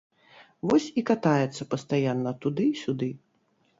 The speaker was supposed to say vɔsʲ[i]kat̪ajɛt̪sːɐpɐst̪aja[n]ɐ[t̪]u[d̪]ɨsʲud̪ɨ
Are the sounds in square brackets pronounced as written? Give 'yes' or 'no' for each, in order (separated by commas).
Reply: yes, no, yes, yes